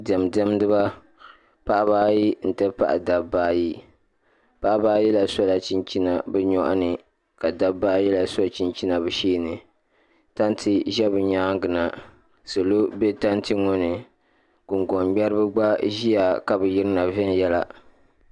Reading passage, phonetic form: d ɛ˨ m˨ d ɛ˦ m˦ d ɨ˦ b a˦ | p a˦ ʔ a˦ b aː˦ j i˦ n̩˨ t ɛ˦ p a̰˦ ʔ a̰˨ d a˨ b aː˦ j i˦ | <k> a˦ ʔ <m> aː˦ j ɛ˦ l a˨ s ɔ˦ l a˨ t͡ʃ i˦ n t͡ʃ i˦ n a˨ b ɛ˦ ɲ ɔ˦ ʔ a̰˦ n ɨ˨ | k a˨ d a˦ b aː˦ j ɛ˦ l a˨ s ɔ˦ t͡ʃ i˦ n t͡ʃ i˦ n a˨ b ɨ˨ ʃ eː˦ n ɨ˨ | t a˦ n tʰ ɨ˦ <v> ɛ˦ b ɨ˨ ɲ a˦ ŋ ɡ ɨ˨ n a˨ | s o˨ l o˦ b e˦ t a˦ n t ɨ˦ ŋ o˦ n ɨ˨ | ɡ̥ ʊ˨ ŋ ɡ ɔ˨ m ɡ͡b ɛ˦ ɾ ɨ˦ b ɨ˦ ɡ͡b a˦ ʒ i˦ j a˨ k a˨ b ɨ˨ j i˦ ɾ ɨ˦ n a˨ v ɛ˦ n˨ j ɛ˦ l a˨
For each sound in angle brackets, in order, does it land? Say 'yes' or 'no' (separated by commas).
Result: no, no, no